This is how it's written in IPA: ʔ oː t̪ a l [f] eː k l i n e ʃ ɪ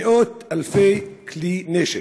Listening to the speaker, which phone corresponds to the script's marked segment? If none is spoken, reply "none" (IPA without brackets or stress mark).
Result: f